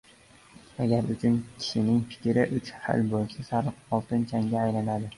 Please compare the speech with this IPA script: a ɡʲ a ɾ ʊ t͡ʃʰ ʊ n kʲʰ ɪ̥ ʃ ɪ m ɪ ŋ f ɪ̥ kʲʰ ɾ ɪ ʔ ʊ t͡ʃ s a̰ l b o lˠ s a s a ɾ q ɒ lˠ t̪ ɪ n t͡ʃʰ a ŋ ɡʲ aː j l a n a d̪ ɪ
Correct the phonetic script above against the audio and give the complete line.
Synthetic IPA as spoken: a ɡʲ a ɾ ʊ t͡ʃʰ ʊ n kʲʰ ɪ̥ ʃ ɪ n ɪ ŋ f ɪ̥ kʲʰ ɾ ɪ ʔ ʊ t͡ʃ h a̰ l b o lˠ s a s a ɾ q ɒ lˠ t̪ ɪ n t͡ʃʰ a ŋ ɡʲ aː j l a n a d̪ ɪ